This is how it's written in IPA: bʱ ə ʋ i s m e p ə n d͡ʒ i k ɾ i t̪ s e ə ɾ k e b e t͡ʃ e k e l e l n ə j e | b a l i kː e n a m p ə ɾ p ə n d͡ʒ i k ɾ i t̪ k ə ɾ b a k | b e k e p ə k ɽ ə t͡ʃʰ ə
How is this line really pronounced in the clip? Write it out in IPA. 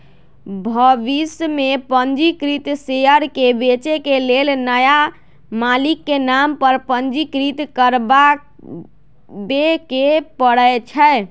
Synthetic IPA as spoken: bʱ ə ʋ i s m e p ə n d͡ʒ i k ɾ i t̪ s e ə ɾ k e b e t͡ʃ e k e l e l n ə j a | m a l i kː e n a m p ə ɾ p ə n d͡ʒ i k ɾ i t̪ k ə ɾ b a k | b e k e p ə ɽ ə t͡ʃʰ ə

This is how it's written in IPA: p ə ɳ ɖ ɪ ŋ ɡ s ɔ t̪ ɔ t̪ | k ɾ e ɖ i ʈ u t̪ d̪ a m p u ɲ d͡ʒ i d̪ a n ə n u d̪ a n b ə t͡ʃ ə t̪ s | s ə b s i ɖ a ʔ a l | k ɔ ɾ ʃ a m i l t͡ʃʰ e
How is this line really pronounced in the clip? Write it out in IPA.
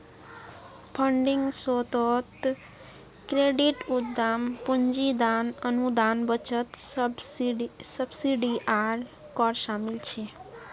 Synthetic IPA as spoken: pʰ ə ɳ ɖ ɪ ŋ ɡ s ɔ t̪ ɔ t̪ | k ɾ e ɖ i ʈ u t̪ d̪ a m p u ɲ d͡ʒ i d̪ a n ə n u d̪ a n b ə t͡ʃ ə t̪ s | s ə b s i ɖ i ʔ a ɾ | k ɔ ɾ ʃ a m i l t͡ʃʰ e

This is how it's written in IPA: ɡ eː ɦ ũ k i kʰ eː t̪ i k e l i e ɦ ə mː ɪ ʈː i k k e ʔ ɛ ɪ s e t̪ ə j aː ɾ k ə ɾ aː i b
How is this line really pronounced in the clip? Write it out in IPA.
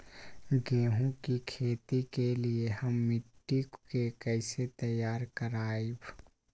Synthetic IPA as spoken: ɡ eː ɦ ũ k i kʰ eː t̪ i k e l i e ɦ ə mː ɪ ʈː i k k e k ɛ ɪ s e t̪ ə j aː ɾ k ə ɾ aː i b

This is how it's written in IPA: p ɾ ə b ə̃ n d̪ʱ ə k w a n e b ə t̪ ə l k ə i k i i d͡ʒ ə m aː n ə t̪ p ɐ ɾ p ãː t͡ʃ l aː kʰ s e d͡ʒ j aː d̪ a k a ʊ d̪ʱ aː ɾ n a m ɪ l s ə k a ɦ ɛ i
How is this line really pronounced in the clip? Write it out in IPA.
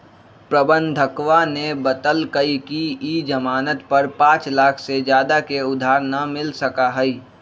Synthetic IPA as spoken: p ɾ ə b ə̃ n d̪ʱ ə k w a n e b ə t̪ ə l k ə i k i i d͡ʒ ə m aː n ə t̪ p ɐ ɾ p ãː t͡ʃ l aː kʰ s e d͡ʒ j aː d̪ a k e ʊ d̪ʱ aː ɾ n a m ɪ l s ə k a ɦ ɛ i

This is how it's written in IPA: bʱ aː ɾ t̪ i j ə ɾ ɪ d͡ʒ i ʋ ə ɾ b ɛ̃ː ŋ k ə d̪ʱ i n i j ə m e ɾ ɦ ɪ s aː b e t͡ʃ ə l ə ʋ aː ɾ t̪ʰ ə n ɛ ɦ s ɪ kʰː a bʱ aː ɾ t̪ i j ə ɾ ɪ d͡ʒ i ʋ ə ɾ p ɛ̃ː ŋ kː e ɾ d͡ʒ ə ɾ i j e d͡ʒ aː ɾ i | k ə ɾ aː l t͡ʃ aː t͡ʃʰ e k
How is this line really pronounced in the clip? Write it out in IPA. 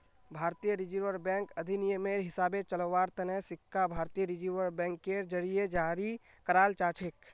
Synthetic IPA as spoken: bʱ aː ɾ t̪ i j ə ɾ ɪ d͡ʒ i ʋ ə ɾ b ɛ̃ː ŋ k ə d̪ʱ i n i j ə m e ɾ ɦ ɪ s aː b e t͡ʃ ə l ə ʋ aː ɾ t̪ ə n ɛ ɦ s ɪ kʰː a bʱ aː ɾ t̪ i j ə ɾ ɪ d͡ʒ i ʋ ə ɾ b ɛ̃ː ŋ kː e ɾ d͡ʒ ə ɾ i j e d͡ʒ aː ɾ i | k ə ɾ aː l t͡ʃ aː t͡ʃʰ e k

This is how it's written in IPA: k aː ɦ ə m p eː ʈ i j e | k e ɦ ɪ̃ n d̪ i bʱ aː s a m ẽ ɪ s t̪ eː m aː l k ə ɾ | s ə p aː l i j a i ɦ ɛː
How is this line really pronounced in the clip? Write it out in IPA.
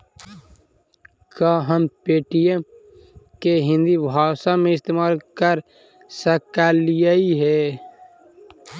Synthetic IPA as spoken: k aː ɦ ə m p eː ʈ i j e | k e ɦ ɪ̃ n d̪ i bʱ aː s a m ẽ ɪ s t̪ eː m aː l k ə ɾ | s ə k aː l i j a i ɦ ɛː

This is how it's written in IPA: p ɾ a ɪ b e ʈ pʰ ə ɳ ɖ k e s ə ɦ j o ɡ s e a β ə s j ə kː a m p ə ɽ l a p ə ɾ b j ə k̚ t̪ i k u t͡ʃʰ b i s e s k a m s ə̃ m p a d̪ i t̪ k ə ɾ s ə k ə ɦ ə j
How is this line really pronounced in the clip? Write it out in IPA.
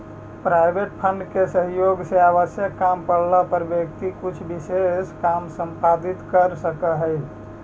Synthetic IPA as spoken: p ɾ a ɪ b e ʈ pʰ ə ɳ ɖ k e s ə ɦ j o ɡ s e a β ə s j ə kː a m p ə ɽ l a p ə ɾ b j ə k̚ t̪ i k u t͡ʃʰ b i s e s k a m s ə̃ m p a d̪ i t̪ k ə ɾ s ə k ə ɦ ə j

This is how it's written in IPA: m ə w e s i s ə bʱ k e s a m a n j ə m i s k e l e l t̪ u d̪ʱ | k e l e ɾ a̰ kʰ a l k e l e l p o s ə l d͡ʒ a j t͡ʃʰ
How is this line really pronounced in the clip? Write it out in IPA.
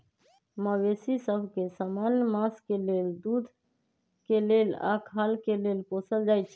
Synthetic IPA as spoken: m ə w e s i s ə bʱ k e s a m a n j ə m a s k e l e l d̪ u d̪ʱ | k e l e l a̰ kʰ a l k e l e l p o s ə l d͡ʒ a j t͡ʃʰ

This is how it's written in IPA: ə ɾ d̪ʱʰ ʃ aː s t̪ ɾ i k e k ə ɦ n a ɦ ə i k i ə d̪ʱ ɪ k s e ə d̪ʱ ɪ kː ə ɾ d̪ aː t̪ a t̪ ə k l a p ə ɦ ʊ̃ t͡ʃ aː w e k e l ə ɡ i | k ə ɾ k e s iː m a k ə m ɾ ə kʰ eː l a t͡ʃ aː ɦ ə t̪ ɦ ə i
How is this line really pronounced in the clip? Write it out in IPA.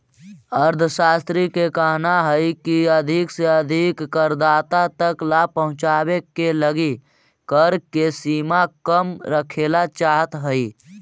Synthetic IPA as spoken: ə ɾ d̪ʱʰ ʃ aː s t̪ ɾ i k e k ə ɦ n a ɦ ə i k i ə d̪ʱ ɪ k s e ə d̪ʱ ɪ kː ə ɾ d̪ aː t̪ a t̪ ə k l a p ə ɦ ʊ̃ t͡ʃ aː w e k e l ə ɡ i | k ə ɾ k e s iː m a k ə m ɾ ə kʰ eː l a t͡ʃ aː ɦ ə t̪ ɦ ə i

